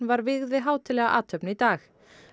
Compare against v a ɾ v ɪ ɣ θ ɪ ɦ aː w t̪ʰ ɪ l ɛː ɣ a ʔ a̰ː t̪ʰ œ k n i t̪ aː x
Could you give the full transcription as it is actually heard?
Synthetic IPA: v a ɾ v ɪ ɣ ð ɪ ɦ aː w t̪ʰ ɪ l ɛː ɣ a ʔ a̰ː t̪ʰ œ p n i t̪ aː x